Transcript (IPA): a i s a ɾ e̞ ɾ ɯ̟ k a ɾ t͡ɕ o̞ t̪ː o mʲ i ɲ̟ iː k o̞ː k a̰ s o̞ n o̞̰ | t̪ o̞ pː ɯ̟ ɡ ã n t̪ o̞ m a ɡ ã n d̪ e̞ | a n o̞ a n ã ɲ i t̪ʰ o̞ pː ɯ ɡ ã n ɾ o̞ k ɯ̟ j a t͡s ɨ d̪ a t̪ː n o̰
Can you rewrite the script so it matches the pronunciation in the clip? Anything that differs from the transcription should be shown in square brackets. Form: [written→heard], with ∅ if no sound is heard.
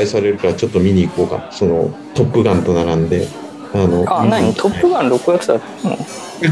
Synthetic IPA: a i s a ɾ e̞ ɾ ɯ̟ k a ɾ t͡ɕ o̞ t̪ː o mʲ i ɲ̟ iː k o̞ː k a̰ s o̞ n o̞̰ | t̪ o̞ pː ɯ̟ ɡ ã n t̪ o̞ [m→n] a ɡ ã n d̪ e̞ | a n o̞ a n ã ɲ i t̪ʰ o̞ pː ɯ ɡ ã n ɾ o̞ k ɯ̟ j a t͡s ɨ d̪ a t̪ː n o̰